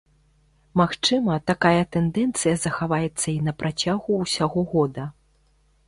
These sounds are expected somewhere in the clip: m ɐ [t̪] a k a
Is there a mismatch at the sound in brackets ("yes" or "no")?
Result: no